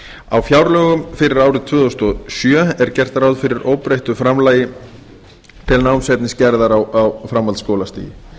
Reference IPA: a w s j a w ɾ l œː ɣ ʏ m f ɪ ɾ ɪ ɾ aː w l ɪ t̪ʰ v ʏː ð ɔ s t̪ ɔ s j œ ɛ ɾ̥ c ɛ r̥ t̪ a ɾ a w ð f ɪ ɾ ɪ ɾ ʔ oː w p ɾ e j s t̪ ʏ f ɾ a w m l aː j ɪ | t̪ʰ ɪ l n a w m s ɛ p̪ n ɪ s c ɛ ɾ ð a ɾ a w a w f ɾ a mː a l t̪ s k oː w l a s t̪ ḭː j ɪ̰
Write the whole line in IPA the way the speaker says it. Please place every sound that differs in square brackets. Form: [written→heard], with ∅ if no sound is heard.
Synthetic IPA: a w [s→f] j a w ɾ l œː ɣ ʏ m f ɪ ɾ ɪ ɾ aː w [l→ɾ] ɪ t̪ʰ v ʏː ð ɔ s t̪ ɔ s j œ ɛ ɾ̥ c ɛ r̥ t̪ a ɾ a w ð f ɪ ɾ ɪ ɾ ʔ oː w p ɾ e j [s→h] t̪ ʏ f ɾ a [w→∅] m l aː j ɪ | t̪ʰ ɪ l n a w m s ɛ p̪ n ɪ s c ɛ ɾ ð a ɾ a w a w f ɾ a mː a l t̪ s k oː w l a s t̪ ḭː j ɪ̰